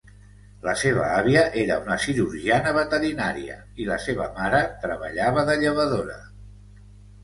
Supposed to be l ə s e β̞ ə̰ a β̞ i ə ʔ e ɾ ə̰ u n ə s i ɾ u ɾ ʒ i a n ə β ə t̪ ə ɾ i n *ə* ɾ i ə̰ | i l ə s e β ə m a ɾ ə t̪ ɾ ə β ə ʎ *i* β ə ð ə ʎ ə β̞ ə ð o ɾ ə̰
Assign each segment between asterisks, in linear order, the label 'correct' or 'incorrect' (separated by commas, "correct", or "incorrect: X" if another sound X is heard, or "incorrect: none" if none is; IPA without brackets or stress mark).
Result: incorrect: a, incorrect: a